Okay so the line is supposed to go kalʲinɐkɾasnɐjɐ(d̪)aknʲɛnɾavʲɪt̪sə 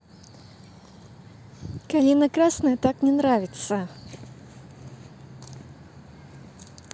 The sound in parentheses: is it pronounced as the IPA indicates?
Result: no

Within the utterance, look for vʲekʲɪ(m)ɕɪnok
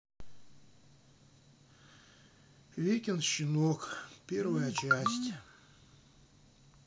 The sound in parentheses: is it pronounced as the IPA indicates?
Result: no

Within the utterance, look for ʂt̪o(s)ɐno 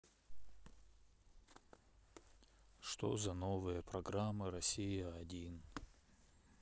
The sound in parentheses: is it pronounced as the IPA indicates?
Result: no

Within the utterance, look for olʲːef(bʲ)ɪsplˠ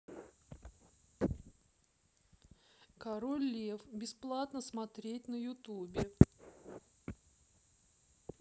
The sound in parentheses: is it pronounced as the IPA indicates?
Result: yes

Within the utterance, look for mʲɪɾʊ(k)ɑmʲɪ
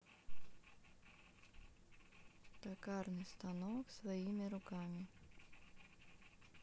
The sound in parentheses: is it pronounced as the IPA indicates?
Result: yes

